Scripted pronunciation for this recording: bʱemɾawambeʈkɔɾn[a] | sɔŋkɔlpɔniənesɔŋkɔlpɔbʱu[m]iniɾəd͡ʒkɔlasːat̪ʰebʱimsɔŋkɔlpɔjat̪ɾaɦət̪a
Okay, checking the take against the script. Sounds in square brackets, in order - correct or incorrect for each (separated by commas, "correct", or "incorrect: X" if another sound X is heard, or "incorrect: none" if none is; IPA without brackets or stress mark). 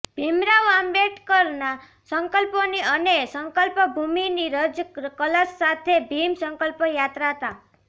correct, correct